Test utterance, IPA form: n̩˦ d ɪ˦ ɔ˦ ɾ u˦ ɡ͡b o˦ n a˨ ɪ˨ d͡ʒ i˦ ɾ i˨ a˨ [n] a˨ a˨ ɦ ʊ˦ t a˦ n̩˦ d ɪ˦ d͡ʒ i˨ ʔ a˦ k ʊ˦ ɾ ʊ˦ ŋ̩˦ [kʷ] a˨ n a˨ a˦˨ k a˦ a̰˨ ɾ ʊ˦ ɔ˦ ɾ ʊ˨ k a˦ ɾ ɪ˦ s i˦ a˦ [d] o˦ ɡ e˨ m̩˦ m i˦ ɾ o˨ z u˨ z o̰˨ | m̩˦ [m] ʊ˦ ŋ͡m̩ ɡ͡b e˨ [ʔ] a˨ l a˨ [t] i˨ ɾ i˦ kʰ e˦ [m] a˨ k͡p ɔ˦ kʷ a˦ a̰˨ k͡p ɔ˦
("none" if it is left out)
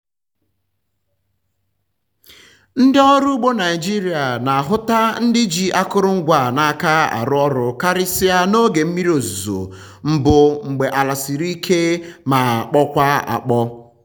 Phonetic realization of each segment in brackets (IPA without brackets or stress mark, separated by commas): n, ɡʷ, n, b, ʔ, s, m